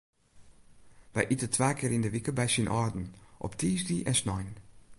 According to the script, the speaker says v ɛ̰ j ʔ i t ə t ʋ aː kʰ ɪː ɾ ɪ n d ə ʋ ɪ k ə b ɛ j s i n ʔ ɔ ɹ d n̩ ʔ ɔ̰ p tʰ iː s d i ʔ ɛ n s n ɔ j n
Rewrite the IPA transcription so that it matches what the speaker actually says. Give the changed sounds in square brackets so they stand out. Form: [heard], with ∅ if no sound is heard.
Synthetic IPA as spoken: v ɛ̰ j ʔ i t ə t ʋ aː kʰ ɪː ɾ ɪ n d ə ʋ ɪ k ə b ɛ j s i n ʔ ɔ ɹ d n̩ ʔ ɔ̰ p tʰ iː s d i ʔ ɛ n s n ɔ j n